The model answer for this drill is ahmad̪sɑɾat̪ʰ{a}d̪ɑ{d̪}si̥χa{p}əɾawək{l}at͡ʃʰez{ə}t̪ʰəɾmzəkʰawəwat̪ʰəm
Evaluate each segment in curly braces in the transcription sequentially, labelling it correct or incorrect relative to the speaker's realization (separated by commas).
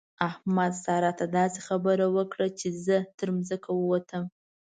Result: correct, incorrect, incorrect, incorrect, correct